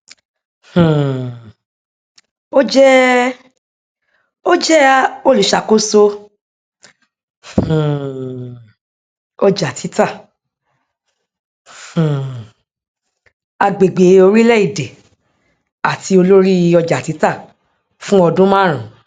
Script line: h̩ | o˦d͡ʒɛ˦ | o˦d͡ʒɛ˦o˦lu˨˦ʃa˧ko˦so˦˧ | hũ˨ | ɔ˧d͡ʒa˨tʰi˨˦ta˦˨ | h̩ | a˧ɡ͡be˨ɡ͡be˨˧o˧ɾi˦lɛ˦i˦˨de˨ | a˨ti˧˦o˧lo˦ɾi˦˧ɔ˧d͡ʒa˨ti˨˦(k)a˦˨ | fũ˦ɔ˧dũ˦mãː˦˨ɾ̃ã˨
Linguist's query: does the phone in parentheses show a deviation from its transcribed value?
yes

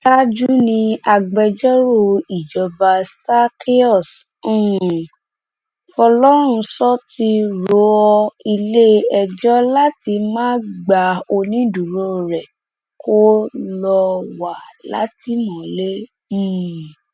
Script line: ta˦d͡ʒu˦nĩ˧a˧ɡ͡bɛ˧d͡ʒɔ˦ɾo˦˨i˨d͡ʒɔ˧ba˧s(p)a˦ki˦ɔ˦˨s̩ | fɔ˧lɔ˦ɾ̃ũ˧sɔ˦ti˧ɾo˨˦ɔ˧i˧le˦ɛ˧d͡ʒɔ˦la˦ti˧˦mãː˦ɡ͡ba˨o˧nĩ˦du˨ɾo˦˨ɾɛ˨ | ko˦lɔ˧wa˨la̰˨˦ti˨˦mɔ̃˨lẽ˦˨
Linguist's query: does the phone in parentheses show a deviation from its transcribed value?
yes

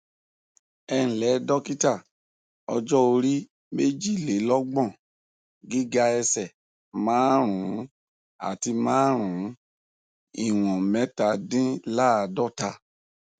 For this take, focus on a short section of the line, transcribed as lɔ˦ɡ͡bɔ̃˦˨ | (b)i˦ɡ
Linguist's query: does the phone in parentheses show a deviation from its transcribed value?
yes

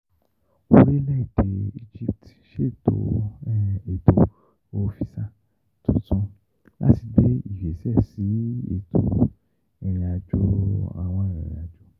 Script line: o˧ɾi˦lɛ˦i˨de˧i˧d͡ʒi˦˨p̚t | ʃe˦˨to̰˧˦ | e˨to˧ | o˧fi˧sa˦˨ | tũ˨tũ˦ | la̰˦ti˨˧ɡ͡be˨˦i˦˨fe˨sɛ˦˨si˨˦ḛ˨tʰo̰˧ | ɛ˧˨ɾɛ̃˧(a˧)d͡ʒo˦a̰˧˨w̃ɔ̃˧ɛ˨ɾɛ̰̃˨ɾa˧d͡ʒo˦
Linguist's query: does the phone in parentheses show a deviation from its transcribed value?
no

